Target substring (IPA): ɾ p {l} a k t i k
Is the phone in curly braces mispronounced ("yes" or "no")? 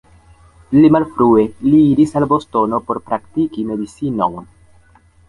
yes